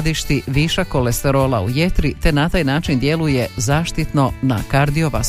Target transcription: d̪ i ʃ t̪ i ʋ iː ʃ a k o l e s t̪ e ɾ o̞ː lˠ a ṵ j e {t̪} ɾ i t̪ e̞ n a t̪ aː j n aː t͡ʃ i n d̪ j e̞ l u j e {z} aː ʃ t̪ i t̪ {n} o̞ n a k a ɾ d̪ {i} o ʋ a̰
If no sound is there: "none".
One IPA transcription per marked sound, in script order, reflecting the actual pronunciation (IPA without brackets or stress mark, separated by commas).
t̪, z, n, i